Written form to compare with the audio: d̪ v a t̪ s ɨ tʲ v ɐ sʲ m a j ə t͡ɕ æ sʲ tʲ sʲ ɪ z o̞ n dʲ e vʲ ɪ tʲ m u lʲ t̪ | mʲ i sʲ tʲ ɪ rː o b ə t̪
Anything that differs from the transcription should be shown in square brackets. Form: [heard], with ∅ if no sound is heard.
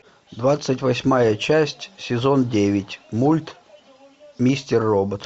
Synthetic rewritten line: d̪ v a t̪ s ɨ tʲ v ɐ sʲ m a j ə t͡ɕ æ sʲ tʲ sʲ ɪ z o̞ n dʲ e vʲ ɪ tʲ m u lʲ t̪ | mʲ i sʲ tʲ ɪ rː o b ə t̪